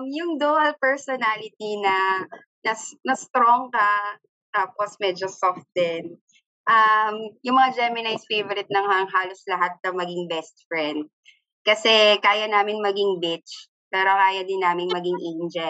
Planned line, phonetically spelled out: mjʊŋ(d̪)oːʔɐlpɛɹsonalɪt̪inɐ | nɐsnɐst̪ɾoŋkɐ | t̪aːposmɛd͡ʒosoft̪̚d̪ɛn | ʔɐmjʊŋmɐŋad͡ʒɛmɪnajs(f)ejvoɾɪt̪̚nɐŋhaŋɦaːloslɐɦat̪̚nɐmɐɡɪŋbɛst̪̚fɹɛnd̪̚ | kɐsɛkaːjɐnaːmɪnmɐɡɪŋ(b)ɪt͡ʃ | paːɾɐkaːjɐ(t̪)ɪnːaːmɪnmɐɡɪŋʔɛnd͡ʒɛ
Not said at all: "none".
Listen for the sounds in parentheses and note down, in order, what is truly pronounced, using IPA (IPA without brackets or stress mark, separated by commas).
d̪, f, b, d̪